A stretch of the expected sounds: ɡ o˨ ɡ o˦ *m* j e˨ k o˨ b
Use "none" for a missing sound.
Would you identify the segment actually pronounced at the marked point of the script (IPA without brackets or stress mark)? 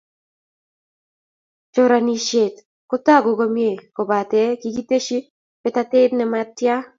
m